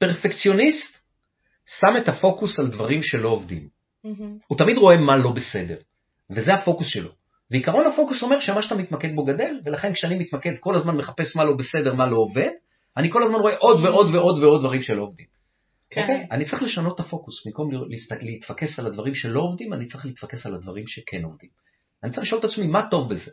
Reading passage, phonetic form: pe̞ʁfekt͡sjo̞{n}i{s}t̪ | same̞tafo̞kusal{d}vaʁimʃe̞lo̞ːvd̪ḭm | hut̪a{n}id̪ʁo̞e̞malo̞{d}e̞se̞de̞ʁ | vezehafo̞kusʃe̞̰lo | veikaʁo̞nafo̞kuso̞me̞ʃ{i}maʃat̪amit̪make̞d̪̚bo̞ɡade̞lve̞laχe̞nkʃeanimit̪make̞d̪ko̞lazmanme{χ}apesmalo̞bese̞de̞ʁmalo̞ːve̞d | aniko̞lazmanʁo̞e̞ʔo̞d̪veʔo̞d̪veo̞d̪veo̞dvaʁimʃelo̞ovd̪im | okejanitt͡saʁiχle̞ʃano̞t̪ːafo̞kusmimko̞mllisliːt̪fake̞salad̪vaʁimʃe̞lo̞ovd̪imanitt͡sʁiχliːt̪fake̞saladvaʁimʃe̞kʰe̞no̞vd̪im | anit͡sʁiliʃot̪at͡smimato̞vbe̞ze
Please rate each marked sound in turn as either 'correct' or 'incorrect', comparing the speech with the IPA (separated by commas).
correct, correct, correct, incorrect, incorrect, incorrect, correct